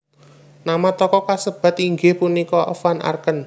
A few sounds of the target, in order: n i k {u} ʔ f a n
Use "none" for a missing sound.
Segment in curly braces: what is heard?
ɔ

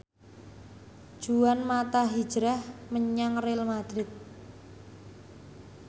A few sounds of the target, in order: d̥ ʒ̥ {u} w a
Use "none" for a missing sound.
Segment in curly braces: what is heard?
u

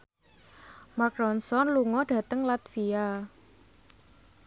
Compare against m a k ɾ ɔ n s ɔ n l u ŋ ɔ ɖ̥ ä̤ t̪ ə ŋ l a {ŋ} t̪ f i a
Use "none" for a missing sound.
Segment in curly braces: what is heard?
none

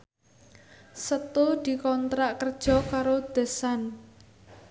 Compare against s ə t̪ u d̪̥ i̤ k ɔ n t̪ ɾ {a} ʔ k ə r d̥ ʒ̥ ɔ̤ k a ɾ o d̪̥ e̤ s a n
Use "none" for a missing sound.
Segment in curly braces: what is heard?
a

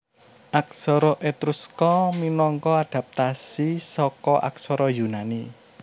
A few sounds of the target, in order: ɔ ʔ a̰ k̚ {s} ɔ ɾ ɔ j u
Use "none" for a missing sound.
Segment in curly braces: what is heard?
s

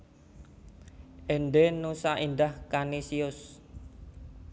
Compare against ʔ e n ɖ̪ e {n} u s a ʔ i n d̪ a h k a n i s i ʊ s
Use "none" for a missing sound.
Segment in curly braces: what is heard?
n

